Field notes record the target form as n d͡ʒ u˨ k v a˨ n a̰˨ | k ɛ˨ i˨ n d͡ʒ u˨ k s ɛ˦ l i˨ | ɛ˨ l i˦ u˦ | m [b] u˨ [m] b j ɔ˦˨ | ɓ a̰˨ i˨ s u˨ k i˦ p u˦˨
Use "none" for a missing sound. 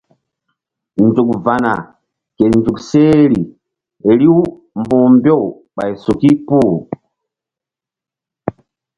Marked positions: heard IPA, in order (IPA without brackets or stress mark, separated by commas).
b, m